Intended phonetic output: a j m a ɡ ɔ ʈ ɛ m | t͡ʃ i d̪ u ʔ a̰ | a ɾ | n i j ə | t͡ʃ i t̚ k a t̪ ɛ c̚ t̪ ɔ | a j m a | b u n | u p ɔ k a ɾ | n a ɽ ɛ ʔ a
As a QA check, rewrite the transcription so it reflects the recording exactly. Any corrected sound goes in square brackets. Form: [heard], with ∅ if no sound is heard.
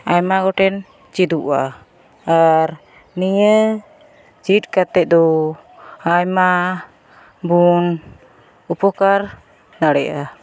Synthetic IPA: a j m a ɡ ɔ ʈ ɛ [n] | t͡ʃ i d̪ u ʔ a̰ | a ɾ | n i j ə | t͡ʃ i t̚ k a t̪ ɛ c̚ [d̪] ɔ | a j m a | b u n | u p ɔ k a ɾ | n a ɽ ɛ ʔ a